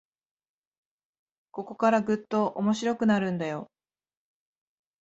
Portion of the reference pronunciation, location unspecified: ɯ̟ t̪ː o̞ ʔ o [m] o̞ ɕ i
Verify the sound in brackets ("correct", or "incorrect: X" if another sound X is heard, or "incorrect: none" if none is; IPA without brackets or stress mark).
correct